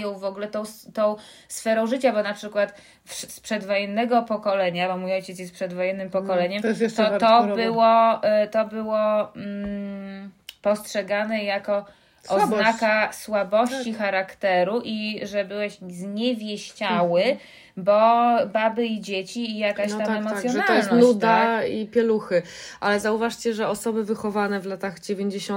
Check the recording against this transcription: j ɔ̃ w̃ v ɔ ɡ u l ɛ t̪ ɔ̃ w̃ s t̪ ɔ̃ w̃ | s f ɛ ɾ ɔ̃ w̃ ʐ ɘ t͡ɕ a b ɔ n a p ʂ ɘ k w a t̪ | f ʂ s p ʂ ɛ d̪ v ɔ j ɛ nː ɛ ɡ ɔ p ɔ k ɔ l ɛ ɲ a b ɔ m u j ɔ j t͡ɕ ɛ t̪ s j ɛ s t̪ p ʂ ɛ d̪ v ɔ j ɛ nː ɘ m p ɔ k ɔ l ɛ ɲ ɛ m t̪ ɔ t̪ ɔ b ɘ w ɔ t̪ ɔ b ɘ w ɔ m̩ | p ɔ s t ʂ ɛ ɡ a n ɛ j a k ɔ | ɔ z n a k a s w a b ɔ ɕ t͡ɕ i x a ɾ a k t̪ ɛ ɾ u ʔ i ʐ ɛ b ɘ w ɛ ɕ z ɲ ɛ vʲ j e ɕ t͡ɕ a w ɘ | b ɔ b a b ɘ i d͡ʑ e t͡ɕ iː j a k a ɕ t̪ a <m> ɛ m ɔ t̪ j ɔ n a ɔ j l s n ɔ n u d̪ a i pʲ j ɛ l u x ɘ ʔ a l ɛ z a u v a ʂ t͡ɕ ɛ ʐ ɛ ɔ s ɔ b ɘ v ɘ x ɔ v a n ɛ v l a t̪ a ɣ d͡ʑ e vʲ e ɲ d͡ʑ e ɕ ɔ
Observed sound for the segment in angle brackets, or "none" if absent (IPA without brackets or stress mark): m